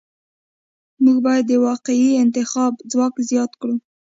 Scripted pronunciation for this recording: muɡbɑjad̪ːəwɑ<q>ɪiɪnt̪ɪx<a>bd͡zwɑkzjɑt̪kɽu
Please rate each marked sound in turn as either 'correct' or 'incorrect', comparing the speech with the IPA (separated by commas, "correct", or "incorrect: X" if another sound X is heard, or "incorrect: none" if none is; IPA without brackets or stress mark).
correct, incorrect: ɑ